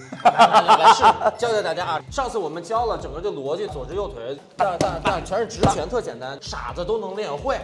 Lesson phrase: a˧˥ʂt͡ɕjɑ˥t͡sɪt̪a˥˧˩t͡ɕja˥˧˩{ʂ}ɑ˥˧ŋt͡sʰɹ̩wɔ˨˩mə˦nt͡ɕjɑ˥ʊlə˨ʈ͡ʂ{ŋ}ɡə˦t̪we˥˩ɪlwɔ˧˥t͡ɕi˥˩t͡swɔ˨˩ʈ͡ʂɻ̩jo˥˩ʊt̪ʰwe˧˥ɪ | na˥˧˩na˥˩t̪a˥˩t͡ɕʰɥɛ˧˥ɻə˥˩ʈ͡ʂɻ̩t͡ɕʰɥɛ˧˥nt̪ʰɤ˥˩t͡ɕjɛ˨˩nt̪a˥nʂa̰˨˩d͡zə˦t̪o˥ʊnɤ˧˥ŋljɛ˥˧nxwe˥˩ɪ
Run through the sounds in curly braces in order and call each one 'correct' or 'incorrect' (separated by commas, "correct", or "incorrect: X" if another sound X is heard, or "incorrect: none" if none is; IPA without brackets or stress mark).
correct, correct